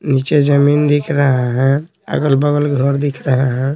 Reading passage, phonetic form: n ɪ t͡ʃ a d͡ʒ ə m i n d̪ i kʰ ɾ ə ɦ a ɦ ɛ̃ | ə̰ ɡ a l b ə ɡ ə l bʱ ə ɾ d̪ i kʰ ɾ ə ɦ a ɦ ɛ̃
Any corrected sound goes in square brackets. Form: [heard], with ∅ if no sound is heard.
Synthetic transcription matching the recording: n [i] t͡ʃ [e] d͡ʒ ə m i n d̪ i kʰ ɾ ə ɦ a ɦ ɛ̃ | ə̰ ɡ [ə] l b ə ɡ ə l [ɡʱ] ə ɾ d̪ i kʰ ɾ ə ɦ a ɦ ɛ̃